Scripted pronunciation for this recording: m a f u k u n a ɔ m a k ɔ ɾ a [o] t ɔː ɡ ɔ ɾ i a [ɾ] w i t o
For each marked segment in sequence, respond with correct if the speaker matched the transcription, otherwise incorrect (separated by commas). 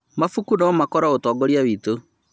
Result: correct, incorrect